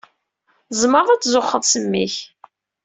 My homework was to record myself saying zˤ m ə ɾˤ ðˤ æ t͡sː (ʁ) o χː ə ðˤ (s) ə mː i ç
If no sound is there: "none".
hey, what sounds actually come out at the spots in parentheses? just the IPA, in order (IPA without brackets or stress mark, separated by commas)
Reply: z, s